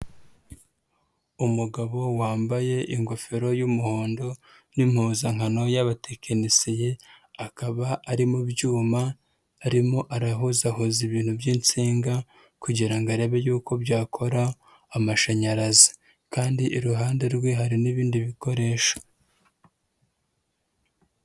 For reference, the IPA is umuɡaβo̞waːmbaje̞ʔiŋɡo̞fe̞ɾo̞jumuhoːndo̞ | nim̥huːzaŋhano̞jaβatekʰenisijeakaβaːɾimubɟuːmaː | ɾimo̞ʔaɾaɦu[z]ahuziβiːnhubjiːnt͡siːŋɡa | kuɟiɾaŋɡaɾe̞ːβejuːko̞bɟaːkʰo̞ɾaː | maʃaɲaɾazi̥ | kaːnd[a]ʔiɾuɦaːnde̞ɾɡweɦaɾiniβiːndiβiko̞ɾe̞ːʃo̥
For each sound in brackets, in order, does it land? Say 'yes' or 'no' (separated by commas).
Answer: yes, no